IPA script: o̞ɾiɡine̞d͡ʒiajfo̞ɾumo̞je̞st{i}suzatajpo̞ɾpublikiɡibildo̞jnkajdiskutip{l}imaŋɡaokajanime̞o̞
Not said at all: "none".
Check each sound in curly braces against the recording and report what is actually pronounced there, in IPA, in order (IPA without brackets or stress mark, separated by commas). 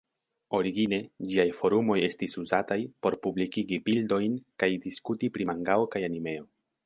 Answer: i, ɾ